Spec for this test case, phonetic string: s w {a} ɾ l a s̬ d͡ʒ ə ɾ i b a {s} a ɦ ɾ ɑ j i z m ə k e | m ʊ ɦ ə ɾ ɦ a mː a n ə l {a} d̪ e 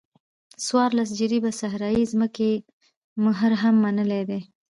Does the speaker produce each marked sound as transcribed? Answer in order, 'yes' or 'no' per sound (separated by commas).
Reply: no, yes, no